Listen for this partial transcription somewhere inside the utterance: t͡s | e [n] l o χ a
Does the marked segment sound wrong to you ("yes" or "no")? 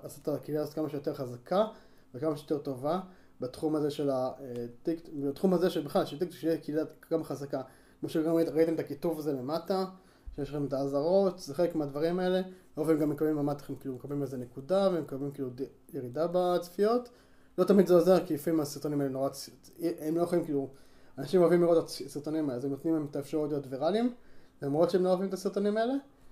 yes